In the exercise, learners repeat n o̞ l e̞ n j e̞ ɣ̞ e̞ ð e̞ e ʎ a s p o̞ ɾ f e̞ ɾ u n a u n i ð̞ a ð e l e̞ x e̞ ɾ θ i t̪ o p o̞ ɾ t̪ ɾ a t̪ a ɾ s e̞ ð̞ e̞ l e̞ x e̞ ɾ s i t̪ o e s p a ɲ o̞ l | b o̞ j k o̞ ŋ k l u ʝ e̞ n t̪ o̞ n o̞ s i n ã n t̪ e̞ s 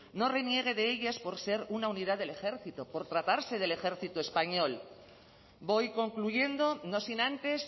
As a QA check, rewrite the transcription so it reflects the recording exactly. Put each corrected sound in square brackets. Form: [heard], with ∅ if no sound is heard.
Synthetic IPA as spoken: n o̞ [r] e̞ n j e̞ ɣ̞ e̞ ð e̞ e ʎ a s p o̞ ɾ [s] e̞ ɾ u n a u n i ð̞ a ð e l e̞ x e̞ ɾ θ i t̪ o p o̞ ɾ t̪ ɾ a t̪ a ɾ s e̞ ð̞ e̞ l e̞ x e̞ ɾ [θ] i t̪ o e s p a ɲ o̞ l | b o̞ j k o̞ ŋ k l u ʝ e̞ n [d̪] o̞ n o̞ s i n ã n t̪ e̞ s